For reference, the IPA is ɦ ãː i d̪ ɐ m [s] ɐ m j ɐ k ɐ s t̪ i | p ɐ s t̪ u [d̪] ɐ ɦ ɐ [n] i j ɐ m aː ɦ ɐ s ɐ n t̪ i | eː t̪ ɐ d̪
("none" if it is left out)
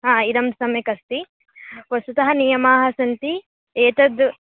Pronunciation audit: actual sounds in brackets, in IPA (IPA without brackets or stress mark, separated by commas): s, t̪, n